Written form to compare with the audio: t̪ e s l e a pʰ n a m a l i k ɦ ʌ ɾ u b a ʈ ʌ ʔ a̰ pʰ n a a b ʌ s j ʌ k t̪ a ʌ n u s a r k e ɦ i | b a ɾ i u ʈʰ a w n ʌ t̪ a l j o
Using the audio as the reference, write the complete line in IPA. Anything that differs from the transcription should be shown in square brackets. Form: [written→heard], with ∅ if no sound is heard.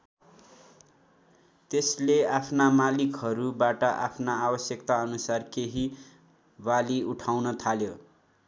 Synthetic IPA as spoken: t̪ e s l e a pʰ n a m a l i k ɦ ʌ ɾ u b a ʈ ʌ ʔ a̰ pʰ n a a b ʌ s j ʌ k t̪ a ʌ n u s a r k e ɦ i | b a [ɾ→l] i u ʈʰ a w n ʌ [t̪→t̪ʰ] a l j o